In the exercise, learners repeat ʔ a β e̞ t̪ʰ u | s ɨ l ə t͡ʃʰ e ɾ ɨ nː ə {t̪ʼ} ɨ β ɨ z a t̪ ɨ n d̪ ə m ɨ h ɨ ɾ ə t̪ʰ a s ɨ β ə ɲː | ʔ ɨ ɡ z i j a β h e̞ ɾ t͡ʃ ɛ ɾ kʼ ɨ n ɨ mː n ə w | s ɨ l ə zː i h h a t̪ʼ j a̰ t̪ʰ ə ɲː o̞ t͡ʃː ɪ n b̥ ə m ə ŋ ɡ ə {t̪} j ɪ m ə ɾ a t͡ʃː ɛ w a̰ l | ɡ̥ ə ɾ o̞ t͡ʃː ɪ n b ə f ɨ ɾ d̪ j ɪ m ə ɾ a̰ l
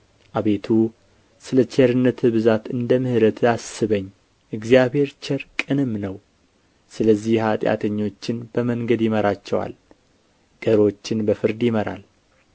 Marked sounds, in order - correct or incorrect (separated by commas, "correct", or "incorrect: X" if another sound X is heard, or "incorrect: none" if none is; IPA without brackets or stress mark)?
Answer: incorrect: t̪, incorrect: d̪